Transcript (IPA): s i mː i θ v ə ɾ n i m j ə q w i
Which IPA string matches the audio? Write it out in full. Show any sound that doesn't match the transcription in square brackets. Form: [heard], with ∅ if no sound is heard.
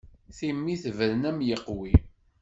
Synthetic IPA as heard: [θ] i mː i θ v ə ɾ n [æ] m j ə q w i